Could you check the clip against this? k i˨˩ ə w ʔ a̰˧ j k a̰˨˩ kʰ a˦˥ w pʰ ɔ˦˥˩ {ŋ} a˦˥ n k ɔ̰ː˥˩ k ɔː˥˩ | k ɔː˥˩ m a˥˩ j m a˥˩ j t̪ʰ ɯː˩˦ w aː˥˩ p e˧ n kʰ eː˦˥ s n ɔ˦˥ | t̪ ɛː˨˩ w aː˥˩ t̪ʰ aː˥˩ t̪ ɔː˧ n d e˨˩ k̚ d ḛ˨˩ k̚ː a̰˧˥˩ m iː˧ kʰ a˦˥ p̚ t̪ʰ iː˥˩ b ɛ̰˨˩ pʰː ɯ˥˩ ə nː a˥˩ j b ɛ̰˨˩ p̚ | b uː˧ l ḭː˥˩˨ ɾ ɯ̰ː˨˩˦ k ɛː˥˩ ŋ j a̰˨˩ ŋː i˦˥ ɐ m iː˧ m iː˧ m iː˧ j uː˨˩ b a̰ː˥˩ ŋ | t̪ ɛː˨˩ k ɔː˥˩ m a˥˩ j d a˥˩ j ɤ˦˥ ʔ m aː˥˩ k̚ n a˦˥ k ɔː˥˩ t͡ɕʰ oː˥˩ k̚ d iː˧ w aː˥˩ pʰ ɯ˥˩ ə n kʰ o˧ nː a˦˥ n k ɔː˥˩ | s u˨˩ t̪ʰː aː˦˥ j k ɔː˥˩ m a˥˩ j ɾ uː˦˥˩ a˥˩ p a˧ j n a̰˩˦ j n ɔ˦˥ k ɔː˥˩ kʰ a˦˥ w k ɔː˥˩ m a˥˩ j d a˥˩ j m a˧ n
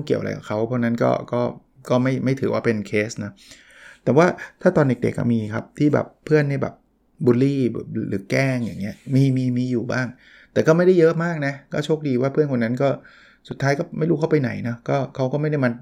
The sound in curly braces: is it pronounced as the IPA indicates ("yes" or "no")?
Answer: no